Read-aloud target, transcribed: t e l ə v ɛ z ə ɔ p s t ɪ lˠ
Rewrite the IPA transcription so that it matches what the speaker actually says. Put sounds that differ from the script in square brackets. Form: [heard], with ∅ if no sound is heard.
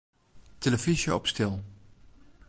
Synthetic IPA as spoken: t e l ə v [i] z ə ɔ p s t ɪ lˠ